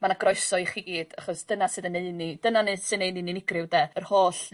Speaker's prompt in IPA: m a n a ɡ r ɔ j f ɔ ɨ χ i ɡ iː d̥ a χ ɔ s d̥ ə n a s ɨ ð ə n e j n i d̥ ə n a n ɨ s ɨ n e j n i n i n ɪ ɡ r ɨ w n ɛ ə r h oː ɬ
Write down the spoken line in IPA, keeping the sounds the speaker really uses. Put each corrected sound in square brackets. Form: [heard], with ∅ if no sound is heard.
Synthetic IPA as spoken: m a n a ɡ r ɔ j [s] ɔ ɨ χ i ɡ iː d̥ a χ ɔ s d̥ ə n a s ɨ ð ə n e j n i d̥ ə n a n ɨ s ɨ n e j n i n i n ɪ ɡ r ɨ w [d] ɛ ə r h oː ɬ